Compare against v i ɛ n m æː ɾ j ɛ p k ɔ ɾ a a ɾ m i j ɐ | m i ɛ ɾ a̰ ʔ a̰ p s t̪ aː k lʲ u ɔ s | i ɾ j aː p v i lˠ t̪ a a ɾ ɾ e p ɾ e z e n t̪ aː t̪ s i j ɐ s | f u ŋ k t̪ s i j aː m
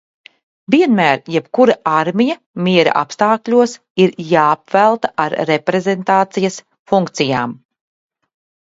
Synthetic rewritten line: v i ɛ n m æː ɾ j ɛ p k u ɾ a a ɾ m i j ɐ | m i ɛ ɾ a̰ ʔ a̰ p s t̪ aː k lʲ u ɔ s | i ɾ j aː p v æ lˠ t̪ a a ɾ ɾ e p ɾ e z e n t̪ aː t̪ s i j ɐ s | f u ŋ k t̪ s i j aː m